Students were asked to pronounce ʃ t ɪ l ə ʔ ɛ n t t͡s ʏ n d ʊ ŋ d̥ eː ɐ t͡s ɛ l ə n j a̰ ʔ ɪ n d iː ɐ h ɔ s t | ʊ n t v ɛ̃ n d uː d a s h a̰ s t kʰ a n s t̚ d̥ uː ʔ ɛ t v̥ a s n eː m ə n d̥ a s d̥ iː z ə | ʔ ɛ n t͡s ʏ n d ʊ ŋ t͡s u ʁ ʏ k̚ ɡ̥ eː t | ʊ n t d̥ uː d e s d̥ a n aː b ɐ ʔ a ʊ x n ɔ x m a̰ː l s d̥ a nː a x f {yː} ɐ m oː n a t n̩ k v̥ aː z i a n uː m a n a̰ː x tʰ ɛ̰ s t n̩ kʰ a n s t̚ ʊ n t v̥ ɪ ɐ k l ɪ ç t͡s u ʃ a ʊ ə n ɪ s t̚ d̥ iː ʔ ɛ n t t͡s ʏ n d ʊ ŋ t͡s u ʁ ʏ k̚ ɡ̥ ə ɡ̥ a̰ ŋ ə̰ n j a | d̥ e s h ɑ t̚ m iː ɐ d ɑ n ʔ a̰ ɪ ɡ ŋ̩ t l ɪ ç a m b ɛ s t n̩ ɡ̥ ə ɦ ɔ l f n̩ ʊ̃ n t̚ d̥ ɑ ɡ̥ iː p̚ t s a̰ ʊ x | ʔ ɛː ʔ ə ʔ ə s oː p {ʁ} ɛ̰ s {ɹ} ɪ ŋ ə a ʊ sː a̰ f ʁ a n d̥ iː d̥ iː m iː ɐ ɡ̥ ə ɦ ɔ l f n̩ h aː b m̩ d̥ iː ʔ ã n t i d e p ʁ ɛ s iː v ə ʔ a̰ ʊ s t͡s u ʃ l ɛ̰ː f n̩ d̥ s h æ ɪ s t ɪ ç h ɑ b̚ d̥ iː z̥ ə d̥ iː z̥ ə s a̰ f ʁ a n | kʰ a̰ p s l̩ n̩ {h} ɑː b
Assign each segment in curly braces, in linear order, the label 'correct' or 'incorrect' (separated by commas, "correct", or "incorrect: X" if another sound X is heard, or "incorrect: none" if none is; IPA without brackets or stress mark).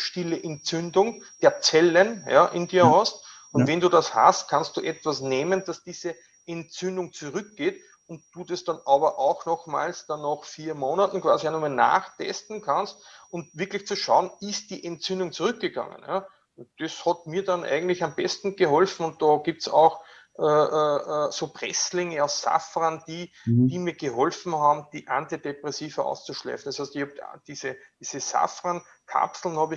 incorrect: iː, correct, incorrect: l, correct